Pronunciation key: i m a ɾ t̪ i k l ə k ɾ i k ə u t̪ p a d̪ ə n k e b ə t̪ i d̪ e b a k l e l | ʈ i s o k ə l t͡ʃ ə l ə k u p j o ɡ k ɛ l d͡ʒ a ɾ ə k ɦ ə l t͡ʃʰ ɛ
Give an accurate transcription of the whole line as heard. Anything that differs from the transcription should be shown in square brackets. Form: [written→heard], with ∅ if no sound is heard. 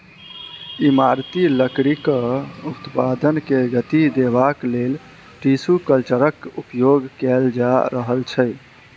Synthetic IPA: i m a ɾ t̪ i [k→∅] l ə k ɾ i k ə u t̪ p a d̪ ə n k e [b→ɡ] ə t̪ i d̪ e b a k l e l | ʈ i s [o→u] k ə l t͡ʃ ə [l→ɾ] ə k u p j o ɡ k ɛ l d͡ʒ a ɾ ə [k→∅] ɦ ə l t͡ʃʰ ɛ